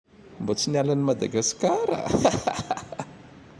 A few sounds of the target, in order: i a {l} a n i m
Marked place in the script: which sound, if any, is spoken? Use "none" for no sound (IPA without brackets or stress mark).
l